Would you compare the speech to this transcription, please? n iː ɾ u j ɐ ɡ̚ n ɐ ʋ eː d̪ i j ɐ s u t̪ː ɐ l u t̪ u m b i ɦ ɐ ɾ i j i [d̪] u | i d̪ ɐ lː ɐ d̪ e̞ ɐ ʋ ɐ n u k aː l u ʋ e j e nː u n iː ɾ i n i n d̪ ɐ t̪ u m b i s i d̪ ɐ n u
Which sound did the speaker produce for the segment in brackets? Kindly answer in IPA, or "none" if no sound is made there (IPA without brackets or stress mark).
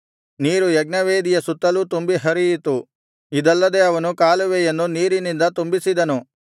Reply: t̪